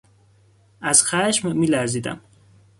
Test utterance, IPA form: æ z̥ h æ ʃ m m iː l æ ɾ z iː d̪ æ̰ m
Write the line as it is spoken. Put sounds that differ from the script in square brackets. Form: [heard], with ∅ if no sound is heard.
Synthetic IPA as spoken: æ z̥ [x] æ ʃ m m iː l æ ɾ z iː d̪ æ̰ m